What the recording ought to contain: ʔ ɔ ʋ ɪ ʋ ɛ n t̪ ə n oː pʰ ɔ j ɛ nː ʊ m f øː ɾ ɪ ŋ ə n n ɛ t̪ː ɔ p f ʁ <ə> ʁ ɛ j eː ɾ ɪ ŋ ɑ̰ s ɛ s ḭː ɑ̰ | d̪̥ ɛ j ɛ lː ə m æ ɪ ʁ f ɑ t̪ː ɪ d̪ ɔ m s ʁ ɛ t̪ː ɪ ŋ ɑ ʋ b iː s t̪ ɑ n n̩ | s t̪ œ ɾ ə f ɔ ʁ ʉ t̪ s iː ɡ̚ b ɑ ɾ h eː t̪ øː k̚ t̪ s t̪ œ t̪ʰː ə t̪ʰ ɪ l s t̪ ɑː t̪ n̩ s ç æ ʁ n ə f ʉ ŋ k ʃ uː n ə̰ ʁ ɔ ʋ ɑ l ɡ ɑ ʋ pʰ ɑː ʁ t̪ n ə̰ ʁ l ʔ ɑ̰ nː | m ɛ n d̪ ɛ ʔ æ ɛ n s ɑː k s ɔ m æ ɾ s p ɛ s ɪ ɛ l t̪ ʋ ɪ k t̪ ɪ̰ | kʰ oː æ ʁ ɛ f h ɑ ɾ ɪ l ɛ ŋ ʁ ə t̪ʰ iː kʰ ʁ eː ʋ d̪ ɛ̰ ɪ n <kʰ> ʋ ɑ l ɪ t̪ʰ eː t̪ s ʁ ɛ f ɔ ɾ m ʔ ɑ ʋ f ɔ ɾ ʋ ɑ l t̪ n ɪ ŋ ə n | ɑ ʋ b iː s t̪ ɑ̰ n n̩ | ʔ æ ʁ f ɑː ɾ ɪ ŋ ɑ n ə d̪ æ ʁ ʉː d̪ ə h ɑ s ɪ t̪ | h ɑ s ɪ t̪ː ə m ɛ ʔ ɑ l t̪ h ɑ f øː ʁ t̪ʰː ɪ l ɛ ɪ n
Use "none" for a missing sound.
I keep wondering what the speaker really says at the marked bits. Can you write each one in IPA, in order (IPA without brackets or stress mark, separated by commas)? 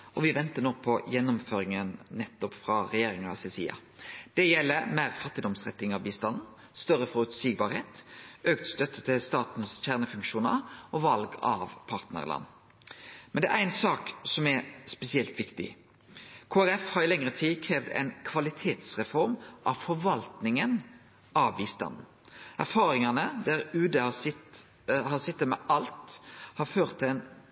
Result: ɑ, kʰ